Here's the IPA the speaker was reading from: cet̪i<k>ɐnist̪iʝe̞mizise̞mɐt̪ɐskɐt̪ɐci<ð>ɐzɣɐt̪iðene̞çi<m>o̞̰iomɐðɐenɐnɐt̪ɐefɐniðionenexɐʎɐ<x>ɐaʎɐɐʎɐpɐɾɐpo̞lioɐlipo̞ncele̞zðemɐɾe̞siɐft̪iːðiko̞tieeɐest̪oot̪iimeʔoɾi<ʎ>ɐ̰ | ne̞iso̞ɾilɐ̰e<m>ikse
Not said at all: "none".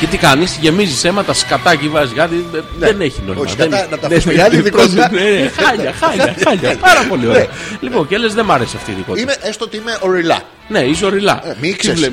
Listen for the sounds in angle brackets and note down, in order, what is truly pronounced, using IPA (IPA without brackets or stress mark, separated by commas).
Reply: k, v, n, x, l, m